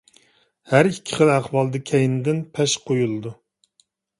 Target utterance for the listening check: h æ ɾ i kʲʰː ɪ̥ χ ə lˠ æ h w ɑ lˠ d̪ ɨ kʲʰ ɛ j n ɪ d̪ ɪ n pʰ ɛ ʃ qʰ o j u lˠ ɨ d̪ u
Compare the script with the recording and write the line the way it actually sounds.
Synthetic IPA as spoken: h æ ɾ i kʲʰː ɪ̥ χ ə lˠ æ χ w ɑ lˠ d̪ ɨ kʲʰ ɛ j n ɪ d̪ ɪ n pʰ ɛ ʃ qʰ o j u lˠ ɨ d̪ u